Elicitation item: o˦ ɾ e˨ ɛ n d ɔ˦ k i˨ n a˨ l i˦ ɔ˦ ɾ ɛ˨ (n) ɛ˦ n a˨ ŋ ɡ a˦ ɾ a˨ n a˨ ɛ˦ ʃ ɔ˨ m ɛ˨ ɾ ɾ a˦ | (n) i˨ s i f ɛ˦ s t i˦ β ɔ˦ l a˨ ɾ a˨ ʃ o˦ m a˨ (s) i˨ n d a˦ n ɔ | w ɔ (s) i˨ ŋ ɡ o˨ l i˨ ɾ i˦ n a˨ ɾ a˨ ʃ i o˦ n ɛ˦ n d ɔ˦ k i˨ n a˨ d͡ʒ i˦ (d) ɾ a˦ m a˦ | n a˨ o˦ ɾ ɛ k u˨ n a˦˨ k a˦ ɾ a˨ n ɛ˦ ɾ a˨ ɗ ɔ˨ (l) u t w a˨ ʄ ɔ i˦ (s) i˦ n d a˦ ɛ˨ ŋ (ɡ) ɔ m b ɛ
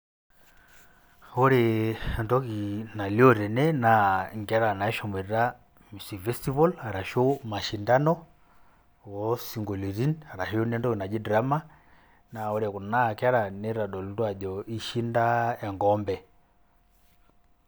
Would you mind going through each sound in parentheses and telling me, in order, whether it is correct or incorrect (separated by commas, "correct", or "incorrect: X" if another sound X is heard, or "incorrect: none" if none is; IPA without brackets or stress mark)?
correct, incorrect: m, incorrect: ʃ, correct, correct, correct, incorrect: ʃ, correct